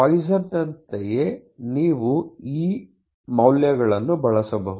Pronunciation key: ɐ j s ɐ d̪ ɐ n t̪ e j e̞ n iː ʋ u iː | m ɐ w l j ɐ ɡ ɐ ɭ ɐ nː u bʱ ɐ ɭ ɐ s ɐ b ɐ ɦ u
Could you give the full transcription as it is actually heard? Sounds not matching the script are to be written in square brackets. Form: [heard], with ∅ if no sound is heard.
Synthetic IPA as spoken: ɐ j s ɐ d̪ ɐ n t̪ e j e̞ n iː ʋ u iː | m ɐ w l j ɐ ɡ ɐ ɭ ɐ nː u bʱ ɐ ɭ ɐ s ɐ b ɐ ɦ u